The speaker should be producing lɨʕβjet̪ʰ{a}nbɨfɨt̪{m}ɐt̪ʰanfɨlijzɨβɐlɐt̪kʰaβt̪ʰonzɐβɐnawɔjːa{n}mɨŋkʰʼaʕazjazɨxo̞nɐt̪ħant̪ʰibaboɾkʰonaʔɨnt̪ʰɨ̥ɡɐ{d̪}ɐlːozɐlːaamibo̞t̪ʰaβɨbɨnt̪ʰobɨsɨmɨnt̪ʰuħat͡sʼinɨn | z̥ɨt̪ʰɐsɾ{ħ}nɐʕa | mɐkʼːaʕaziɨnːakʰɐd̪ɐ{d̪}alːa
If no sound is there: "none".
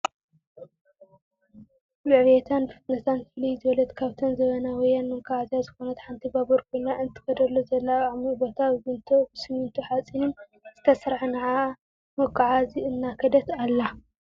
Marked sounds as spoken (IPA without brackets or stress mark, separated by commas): a, n, n, d̪, ħ, t̪